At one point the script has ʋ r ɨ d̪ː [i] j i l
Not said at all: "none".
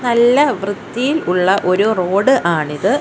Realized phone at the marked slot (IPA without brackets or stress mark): i